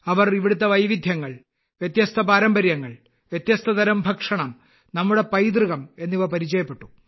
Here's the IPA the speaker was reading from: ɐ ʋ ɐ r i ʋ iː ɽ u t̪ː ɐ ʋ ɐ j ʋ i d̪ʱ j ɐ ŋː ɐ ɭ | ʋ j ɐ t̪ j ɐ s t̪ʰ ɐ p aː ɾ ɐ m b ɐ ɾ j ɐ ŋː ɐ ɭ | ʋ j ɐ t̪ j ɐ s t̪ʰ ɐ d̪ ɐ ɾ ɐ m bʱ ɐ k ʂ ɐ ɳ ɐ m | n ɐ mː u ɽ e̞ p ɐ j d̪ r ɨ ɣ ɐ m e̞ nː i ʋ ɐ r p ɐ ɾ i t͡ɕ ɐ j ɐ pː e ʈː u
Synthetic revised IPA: ɐ ʋ ɐ r i ʋ i ɽ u t̪ː ɐ ʋ ɐ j ʋ i d̪ʱ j ɐ ŋː ɐ ɭ | ʋ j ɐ t̪ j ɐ s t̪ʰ ɐ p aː ɾ ɐ m b ɐ ɾ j ɐ ŋː ɐ ɭ | ʋ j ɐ t̪ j ɐ s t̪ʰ ɐ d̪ ɐ ɾ ɐ m bʱ ɐ k ʂ ɐ ɳ ɐ m | n ɐ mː u ɽ e̞ p ɐ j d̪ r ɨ ɣ ɐ m e̞ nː i ʋ ɐ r p ɐ ɾ i t͡ɕ ɐ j ɐ pː e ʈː u